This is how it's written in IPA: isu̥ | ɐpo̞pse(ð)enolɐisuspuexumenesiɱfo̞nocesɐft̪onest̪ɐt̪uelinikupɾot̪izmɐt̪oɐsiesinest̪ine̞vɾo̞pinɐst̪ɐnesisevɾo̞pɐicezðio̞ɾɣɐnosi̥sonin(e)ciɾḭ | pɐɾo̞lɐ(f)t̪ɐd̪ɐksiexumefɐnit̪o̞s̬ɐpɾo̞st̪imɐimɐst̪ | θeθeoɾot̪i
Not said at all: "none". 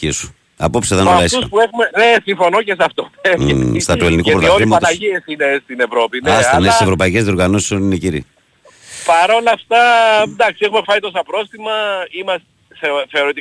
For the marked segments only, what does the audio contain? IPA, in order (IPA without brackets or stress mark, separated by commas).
ð, e, f